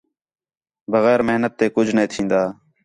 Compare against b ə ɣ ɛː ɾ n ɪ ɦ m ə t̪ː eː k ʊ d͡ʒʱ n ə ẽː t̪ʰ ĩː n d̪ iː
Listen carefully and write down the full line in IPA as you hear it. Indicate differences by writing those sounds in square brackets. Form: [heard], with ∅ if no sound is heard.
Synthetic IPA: b ə ɣ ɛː ɾ [m] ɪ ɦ [n] ə t̪ː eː k ʊ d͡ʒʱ n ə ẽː t̪ʰ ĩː n d̪ [aː]